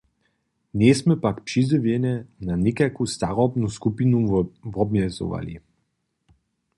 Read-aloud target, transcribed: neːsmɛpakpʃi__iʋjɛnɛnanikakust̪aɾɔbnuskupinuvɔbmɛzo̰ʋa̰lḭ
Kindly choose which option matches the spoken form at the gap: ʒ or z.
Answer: z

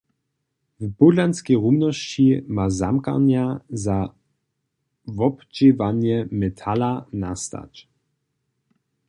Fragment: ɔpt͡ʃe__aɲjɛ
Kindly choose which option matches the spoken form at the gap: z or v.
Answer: v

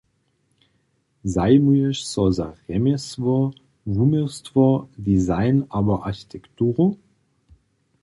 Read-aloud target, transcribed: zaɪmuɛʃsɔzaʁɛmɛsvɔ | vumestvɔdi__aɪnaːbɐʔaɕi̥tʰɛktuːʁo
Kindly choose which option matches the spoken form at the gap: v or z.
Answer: z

